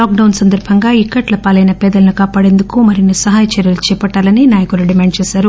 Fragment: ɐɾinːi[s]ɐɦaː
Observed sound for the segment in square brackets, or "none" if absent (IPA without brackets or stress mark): s